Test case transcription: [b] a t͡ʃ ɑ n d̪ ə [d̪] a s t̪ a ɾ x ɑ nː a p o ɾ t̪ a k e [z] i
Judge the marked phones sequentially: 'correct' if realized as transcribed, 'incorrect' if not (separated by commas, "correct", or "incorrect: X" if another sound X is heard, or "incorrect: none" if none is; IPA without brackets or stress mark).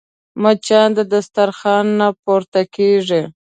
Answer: incorrect: m, correct, incorrect: ʐ